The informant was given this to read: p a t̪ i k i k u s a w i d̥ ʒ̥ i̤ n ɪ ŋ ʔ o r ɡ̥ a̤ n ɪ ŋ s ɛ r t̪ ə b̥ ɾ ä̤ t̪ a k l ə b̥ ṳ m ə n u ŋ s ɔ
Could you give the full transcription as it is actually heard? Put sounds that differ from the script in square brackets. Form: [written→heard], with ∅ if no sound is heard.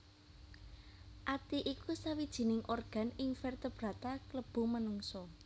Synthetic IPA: [p→ʔ] a t̪ i [k→ʔ] i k u s a w i d̥ ʒ̥ i̤ n ɪ ŋ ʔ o r ɡ̥ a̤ n ɪ ŋ [s→f] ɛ r t̪ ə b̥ ɾ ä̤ t̪ a k l ə b̥ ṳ m ə n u ŋ s ɔ